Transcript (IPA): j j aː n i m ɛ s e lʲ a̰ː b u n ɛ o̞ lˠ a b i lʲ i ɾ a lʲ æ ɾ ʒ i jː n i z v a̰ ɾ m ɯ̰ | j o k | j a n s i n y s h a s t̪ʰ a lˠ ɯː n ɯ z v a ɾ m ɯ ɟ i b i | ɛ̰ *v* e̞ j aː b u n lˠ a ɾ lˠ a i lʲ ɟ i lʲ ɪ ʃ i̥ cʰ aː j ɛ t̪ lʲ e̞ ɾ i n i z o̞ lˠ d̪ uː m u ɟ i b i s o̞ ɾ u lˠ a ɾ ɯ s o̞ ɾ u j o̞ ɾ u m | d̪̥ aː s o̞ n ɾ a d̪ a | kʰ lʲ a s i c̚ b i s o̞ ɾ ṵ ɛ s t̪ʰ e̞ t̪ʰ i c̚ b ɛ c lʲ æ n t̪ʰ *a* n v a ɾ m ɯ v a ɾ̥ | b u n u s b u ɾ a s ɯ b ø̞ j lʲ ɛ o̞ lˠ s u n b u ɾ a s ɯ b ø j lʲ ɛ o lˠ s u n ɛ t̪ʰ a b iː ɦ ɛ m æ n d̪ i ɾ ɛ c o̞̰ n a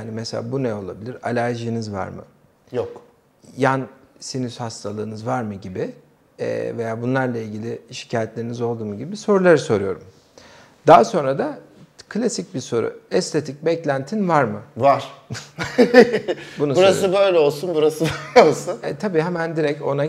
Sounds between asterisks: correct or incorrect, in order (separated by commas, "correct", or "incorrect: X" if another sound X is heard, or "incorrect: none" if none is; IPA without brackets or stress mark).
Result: correct, incorrect: i